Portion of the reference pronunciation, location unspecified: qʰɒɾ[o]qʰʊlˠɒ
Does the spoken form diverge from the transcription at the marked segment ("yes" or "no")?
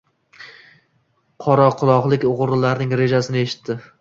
yes